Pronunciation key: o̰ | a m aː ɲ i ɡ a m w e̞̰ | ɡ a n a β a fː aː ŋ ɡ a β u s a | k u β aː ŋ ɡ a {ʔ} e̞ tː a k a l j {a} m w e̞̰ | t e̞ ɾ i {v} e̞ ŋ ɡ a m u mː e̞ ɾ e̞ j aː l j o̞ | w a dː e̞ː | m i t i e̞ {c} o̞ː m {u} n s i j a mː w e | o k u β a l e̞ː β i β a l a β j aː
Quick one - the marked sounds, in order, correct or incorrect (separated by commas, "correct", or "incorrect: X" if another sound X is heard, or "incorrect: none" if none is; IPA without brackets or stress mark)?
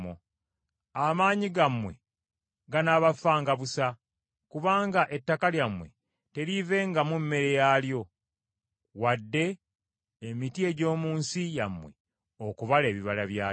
correct, correct, correct, incorrect: ɟ, incorrect: uː